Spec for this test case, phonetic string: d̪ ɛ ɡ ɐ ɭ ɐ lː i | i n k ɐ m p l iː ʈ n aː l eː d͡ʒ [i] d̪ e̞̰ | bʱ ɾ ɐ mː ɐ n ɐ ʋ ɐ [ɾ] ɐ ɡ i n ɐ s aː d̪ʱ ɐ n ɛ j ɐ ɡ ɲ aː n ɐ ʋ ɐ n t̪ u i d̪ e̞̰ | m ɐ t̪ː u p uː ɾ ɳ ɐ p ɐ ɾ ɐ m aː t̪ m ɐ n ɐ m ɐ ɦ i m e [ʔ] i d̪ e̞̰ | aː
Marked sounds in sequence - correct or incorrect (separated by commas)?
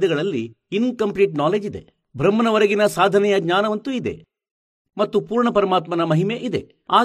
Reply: correct, correct, correct